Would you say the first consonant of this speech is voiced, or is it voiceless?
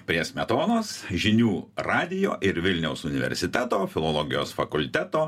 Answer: voiceless